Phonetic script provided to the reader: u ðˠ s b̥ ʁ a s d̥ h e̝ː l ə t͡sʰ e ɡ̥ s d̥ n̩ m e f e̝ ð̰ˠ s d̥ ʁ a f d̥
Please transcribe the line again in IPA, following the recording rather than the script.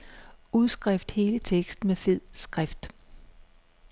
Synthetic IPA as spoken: u ðˠ s ɡ̥ ʁ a f d̥ h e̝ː l ə t͡sʰ e ɡ̥ s d̥ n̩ m e f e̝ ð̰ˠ s ɡ̥ ʁ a f d̥